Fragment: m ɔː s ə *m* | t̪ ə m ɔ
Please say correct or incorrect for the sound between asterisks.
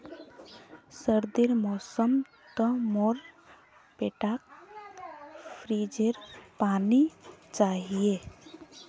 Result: correct